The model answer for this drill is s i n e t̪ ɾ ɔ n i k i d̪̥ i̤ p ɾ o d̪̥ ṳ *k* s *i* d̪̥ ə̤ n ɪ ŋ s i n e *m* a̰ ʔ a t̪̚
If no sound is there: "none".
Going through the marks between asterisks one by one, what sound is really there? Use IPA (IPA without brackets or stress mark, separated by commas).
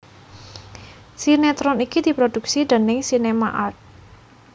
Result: k, i, m